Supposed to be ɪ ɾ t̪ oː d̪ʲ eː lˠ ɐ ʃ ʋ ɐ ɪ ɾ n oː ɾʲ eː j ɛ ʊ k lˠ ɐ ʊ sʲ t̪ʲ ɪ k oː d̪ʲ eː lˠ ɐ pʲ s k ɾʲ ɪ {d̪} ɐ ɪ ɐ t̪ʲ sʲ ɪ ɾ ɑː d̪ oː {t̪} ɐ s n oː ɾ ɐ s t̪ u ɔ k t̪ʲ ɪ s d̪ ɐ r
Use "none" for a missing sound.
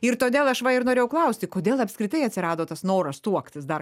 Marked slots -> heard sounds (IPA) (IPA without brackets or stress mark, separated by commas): t̪, t̪